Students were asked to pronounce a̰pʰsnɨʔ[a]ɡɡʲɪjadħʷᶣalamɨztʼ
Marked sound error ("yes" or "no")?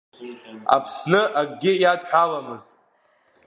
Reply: no